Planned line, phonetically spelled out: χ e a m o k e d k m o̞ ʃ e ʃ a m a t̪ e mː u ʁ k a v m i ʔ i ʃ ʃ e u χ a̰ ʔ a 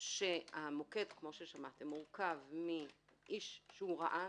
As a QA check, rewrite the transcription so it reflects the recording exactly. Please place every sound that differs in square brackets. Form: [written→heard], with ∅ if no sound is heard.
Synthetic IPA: [χ→ʃ] e a m o k e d k m o̞ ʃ e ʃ a m a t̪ e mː u ʁ k a v m i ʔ i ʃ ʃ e u [χ→ʁ] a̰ ʔ a